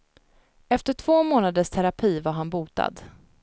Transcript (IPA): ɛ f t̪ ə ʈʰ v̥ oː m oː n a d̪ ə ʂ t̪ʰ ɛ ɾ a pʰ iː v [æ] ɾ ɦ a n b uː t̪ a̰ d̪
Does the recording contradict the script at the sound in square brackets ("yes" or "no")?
yes